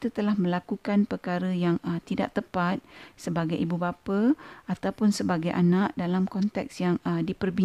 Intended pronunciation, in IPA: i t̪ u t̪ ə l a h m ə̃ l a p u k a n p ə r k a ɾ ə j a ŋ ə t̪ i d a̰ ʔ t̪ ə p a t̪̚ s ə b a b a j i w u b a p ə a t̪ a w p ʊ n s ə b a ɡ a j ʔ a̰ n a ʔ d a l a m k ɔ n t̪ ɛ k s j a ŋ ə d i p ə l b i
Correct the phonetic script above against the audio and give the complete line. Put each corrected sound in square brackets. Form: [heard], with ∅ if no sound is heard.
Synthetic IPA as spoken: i t̪ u t̪ ə l a h m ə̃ l a [k] u k a n p ə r k a ɾ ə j a ŋ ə t̪ i d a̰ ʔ t̪ ə p a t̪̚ s ə b a [ɡ] a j i [b] u b a p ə a t̪ a w p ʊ n s ə b a ɡ a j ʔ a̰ n a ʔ d a l a m k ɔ n t̪ ɛ k s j a ŋ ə d i p ə [r] b i